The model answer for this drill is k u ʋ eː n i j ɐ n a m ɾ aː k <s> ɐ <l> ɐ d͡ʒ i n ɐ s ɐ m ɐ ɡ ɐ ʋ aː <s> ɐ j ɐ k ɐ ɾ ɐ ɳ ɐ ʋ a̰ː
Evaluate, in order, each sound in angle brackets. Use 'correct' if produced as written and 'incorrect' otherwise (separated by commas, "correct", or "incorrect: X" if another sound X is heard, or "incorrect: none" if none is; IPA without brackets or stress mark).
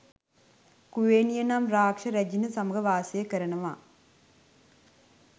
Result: incorrect: ʂ, incorrect: ɾ, correct